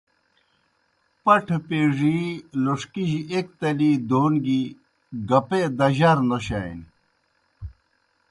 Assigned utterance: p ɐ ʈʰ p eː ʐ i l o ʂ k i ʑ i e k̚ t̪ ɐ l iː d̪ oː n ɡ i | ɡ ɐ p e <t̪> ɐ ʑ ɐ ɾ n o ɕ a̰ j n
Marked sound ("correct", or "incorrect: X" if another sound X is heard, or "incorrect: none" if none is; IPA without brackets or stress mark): incorrect: d̪